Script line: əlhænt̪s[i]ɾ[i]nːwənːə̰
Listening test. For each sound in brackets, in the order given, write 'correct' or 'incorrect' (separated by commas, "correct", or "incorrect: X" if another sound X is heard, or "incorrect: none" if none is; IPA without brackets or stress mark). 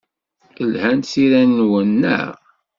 correct, incorrect: æ